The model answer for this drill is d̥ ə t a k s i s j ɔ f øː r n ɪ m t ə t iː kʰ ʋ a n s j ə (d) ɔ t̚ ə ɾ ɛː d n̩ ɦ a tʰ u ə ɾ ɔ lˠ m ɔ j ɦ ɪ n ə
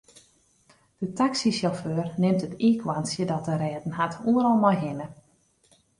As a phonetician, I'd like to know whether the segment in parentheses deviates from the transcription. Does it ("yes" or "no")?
no